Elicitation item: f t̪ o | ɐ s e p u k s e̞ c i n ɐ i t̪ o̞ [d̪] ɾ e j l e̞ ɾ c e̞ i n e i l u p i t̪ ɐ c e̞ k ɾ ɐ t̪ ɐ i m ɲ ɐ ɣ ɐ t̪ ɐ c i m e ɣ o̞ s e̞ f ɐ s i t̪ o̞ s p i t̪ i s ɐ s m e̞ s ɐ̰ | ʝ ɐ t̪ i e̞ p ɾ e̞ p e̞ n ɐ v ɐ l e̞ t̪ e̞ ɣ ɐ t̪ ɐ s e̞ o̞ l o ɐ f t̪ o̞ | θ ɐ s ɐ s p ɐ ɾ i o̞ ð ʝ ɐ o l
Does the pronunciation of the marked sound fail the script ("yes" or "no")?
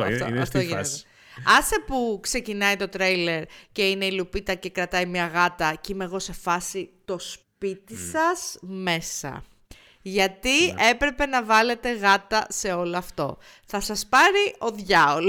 yes